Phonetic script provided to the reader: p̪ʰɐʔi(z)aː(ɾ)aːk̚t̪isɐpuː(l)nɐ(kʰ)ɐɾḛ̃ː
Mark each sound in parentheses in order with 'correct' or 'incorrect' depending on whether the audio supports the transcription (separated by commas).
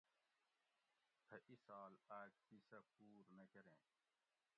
incorrect, incorrect, incorrect, incorrect